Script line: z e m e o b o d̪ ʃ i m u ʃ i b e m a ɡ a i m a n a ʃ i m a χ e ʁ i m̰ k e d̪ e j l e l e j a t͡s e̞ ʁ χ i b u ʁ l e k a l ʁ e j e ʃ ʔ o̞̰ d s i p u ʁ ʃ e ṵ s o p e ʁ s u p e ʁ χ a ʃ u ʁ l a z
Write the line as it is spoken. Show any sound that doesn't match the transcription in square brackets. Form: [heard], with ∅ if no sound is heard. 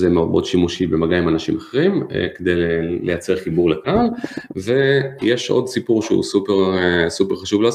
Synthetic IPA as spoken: z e m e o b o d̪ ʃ i m u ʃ i b e m a ɡ a i m a n a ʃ i m a χ e ʁ i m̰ k e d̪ e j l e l e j a t͡s e̞ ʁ χ i b u ʁ l e k a l [v] e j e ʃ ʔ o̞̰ d s i p u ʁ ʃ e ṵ s [u] p e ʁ s u p e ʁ χ a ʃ u [v] l a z